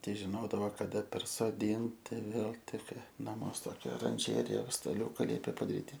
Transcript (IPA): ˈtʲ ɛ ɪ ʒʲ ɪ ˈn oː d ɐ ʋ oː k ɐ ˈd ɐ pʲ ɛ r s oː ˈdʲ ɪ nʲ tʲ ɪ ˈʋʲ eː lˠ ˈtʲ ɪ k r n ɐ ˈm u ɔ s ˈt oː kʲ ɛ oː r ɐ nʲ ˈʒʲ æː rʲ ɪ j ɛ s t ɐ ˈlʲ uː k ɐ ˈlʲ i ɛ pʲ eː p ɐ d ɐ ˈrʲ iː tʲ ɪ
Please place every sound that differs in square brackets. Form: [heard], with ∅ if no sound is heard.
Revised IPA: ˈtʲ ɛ ɪ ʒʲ ɪ ˈn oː d ɐ ʋ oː k ɐ ˈd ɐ pʲ ɛ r s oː ˈdʲ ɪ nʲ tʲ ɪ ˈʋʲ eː lˠ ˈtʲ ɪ k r n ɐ ˈm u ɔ s ˈt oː kʲ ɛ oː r ɐ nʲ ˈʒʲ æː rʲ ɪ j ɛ s t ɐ ˈlʲ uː k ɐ ˈlʲ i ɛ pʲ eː p ɐ d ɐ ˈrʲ iː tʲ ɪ